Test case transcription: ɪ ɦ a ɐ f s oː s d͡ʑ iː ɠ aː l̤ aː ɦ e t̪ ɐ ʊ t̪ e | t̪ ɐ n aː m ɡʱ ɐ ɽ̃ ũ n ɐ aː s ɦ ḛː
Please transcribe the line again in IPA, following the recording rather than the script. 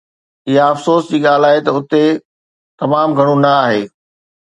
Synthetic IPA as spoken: ɪ ɦ a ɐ f s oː s d͡ʑ iː ɠ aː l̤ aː ɦ e t̪ ɐ ʊ t̪ e | t̪ ɐ m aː m ɡʱ ɐ ɽ̃ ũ n ɐ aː ɦ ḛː